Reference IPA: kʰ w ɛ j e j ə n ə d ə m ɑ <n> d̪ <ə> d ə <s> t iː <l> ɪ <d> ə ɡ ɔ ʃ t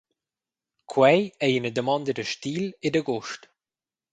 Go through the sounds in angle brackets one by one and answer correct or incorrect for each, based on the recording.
correct, correct, incorrect: ʃ, correct, correct

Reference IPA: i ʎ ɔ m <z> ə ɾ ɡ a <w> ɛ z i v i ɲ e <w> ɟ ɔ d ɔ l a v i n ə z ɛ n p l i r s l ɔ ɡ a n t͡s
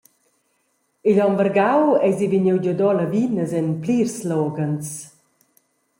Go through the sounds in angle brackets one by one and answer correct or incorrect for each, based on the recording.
incorrect: v, correct, correct

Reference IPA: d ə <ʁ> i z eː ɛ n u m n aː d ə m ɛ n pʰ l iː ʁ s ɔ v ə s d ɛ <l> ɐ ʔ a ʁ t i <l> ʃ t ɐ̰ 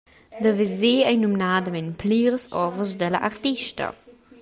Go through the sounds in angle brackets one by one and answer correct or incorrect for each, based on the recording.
incorrect: v, correct, incorrect: none

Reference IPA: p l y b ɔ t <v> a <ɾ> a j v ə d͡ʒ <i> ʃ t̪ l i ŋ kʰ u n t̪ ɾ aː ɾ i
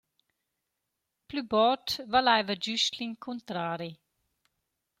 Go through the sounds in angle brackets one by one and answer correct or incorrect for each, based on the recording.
correct, incorrect: l, incorrect: y

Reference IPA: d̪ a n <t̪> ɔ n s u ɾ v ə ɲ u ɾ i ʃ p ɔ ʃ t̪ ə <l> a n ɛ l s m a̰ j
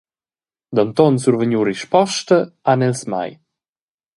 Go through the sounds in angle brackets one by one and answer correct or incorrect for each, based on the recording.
correct, incorrect: none

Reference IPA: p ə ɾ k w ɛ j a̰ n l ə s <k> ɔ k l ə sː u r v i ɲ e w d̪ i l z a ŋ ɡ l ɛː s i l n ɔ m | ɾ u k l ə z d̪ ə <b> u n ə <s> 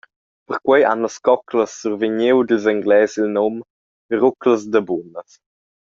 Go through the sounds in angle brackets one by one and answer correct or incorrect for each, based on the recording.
correct, correct, correct

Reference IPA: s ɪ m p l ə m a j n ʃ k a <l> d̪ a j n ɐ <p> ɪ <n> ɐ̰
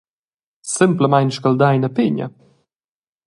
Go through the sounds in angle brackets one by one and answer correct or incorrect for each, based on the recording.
correct, correct, incorrect: ɲ

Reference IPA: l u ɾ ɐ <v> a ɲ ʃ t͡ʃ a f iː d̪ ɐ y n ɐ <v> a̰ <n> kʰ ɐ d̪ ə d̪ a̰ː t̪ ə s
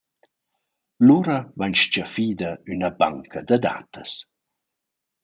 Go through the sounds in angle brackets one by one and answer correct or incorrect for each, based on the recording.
correct, incorrect: b, incorrect: ŋ

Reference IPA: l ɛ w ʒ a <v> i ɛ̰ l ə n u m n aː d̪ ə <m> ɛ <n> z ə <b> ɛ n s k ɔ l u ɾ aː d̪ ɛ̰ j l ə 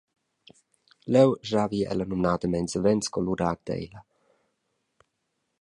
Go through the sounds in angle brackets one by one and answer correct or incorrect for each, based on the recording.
correct, correct, correct, incorrect: v

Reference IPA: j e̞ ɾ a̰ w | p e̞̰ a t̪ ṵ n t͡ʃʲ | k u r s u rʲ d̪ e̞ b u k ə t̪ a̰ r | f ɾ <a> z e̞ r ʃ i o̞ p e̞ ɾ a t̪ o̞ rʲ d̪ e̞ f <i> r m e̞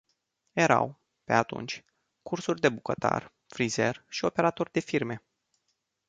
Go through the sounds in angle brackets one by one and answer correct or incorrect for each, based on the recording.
incorrect: i, correct

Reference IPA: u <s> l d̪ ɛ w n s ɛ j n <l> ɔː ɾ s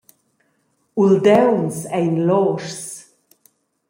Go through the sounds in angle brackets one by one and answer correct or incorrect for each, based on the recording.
incorrect: none, correct

